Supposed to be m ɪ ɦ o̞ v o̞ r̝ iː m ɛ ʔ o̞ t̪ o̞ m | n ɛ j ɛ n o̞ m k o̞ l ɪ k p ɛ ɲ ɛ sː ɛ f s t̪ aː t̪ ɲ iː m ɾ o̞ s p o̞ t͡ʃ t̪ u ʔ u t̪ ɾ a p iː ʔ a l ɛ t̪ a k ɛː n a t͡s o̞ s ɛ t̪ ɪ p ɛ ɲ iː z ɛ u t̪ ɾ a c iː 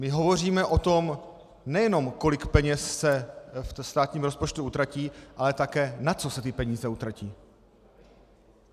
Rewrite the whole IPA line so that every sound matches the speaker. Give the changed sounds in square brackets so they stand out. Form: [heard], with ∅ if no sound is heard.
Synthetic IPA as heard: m ɪ ɦ o̞ v o̞ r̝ iː m ɛ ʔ o̞ t̪ o̞ m | n ɛ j ɛ n o̞ m k o̞ l ɪ k p ɛ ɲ ɛ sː ɛ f s t̪ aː t̪ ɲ iː m ɾ o̞ s p o̞ t͡ʃ t̪ u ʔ u t̪ ɾ a [c] iː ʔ a l ɛ t̪ a k ɛː n a t͡s o̞ s ɛ t̪ ɪ p ɛ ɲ iː z ɛ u t̪ ɾ a c iː